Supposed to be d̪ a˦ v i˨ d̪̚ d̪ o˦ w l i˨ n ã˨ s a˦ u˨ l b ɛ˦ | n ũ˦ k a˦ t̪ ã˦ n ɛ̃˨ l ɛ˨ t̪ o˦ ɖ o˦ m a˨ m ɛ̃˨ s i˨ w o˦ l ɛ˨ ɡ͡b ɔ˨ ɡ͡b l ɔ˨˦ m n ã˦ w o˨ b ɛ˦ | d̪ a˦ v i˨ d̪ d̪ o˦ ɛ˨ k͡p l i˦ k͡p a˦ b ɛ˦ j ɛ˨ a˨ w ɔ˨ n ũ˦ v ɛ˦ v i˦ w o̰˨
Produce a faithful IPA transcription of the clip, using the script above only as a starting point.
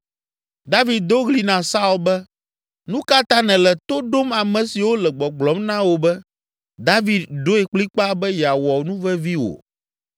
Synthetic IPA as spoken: d̪ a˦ v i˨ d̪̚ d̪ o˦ ɣ l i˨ n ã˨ s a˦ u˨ l b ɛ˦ | n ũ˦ k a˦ t̪ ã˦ n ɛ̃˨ l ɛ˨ t̪ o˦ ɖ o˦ m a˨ m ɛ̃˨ s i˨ w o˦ l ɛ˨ ɡ͡b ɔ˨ ɡ͡b l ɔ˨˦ m n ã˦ w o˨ b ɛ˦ | d̪ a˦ v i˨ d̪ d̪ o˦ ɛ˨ k͡p l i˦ k͡p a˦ b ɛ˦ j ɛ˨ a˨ w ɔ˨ n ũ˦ v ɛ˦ v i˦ w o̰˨